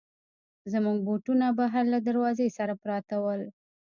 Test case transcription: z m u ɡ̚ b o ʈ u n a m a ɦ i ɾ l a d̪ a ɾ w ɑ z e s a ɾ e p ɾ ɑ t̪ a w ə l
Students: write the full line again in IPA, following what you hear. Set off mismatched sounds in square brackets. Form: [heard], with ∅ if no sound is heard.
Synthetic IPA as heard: z m u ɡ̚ b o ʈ u n a [b] a ɦ [a] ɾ l a d̪ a ɾ w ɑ z e s a ɾ [a] p ɾ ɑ t̪ a w ə l